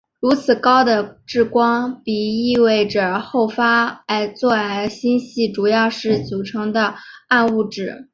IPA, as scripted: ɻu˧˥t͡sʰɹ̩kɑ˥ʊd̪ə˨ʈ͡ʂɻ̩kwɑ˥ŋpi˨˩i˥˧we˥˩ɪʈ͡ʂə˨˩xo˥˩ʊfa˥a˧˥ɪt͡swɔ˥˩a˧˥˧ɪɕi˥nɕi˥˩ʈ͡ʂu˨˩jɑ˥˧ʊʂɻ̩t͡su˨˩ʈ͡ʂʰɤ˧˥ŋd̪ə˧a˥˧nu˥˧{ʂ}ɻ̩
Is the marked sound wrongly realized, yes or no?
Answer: yes